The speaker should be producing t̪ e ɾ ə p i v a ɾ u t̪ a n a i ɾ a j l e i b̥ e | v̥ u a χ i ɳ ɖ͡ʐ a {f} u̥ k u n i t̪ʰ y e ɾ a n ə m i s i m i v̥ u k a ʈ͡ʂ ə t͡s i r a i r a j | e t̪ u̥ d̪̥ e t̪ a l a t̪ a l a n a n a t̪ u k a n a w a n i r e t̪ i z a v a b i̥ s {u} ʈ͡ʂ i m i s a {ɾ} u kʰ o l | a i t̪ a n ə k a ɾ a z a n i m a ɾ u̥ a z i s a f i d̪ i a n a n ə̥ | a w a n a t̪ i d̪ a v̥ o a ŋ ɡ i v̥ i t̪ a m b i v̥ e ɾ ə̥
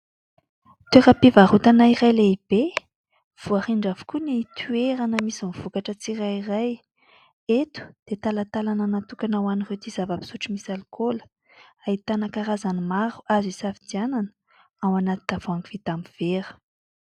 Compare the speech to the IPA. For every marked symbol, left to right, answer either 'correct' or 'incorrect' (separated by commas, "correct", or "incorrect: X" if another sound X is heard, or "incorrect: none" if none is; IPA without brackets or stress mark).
incorrect: v, correct, incorrect: l